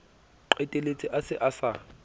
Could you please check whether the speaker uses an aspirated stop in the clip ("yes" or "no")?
no